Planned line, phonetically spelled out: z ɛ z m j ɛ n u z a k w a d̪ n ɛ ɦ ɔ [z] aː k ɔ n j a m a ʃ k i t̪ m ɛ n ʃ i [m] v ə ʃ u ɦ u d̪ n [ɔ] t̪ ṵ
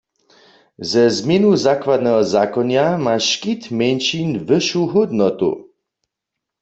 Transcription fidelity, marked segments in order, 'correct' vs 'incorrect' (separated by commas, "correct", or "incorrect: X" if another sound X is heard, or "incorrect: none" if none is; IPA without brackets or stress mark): correct, incorrect: n, correct